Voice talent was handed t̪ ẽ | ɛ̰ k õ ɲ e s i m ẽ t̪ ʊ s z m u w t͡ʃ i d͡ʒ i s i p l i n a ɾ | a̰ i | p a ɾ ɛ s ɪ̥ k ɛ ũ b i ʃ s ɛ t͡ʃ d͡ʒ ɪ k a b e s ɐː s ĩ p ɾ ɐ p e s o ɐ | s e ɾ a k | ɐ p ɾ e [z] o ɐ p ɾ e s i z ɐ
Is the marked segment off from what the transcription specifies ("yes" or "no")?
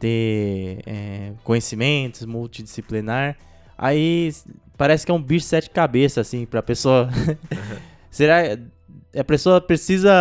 yes